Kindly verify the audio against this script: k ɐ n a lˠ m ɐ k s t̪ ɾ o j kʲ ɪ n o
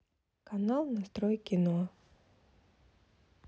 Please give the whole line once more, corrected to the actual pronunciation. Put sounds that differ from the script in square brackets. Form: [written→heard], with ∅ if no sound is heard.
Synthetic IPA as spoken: k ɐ n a lˠ [m→n] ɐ [k→∅] s t̪ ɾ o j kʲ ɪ n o